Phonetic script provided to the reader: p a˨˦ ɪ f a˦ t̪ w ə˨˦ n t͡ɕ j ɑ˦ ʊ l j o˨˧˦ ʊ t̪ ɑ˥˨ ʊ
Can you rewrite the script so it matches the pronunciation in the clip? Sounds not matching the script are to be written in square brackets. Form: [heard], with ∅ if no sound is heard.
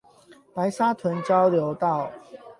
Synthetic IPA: p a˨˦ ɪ [s] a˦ [t̪ʰ] w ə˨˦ n t͡ɕ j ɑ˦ ʊ l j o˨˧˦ ʊ t̪ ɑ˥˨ ʊ